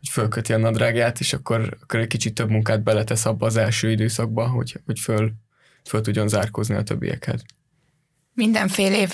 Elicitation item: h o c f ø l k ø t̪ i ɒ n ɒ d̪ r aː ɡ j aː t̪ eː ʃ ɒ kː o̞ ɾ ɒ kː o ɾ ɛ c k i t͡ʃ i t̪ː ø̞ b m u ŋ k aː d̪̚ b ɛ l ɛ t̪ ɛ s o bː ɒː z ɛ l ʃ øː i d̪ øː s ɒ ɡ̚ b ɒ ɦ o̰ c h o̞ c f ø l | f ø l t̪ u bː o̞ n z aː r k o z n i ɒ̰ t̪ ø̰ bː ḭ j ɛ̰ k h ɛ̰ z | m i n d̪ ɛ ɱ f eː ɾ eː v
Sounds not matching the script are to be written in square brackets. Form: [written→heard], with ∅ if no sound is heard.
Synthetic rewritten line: h o c f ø l k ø t̪ i ɒ n ɒ d̪ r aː ɡ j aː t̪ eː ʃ ɒ kː o̞ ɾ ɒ kː o ɾ ɛ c k i t͡ʃ i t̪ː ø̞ b m u ŋ k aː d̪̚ b ɛ l ɛ t̪ ɛ s [o→ɒ] bː ɒː z ɛ l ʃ øː i d̪ øː s ɒ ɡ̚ b ɒ ɦ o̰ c h o̞ c f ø l | f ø l t̪ u [bː→ɟː] o̞ n z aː r k o z n i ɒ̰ t̪ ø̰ bː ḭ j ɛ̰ k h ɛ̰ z | m i n d̪ ɛ ɱ f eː [ɾ→l] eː v